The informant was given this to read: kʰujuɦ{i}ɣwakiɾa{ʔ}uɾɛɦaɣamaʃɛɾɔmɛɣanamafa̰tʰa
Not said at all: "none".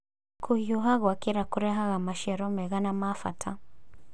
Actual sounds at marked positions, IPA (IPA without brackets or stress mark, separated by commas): a, k